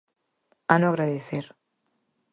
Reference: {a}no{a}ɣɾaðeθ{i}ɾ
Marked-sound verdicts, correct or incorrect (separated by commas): correct, correct, incorrect